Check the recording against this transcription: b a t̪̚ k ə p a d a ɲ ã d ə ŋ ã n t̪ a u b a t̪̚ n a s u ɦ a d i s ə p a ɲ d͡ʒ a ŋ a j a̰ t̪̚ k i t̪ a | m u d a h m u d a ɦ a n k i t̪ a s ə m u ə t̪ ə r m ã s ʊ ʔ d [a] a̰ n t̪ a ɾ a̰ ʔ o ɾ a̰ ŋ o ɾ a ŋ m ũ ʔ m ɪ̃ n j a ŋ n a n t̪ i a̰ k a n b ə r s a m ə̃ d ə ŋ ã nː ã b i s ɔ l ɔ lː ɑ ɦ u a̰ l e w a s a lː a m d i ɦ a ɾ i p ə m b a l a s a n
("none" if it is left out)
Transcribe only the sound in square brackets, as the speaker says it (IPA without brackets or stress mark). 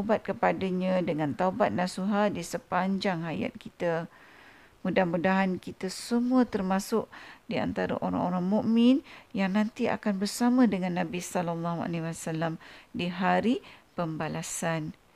i